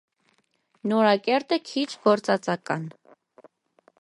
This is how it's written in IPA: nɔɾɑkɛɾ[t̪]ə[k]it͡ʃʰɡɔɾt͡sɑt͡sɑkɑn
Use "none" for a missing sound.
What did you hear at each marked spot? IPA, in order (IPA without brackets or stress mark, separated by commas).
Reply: t̪, kʰ